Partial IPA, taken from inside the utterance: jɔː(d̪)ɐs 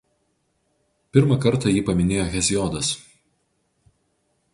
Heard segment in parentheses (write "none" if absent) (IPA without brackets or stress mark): d̪